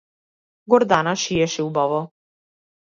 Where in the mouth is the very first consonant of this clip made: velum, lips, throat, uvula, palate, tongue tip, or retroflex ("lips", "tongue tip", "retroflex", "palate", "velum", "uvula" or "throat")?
velum